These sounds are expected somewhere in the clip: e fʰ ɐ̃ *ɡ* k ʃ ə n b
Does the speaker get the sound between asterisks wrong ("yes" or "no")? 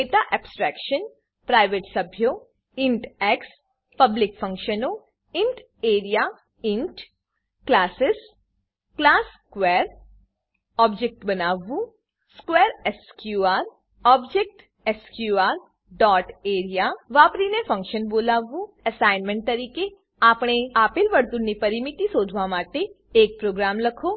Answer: yes